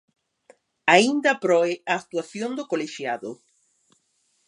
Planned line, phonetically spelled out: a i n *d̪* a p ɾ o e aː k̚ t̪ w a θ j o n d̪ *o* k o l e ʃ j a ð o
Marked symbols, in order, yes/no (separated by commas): yes, yes